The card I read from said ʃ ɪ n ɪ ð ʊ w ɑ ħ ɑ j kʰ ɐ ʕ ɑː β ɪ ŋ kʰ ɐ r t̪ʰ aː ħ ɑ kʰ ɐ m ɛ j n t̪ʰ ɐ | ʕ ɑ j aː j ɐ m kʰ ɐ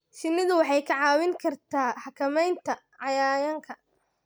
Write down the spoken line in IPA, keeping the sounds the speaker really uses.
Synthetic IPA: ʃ ɪ n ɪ ð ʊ w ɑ ħ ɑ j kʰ ɐ ʕ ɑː w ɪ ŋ kʰ ɐ r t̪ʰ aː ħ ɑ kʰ ɐ m ɛ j n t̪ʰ ɐ | ʕ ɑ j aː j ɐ ŋ kʰ ɐ